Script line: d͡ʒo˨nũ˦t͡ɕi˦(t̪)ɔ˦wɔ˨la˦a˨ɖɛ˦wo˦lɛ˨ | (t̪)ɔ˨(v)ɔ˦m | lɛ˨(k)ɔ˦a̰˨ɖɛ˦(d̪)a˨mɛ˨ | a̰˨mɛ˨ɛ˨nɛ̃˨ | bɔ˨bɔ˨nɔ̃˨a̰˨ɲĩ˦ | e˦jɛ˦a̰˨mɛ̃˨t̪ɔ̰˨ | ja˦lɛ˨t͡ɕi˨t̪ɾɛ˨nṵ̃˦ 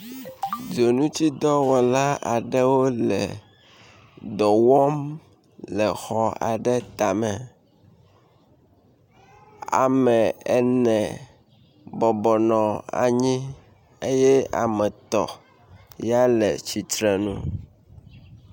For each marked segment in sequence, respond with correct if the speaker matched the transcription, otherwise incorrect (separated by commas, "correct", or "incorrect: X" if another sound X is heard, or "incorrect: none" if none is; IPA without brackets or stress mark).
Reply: incorrect: d̪, incorrect: d̪, incorrect: w, incorrect: x, incorrect: t̪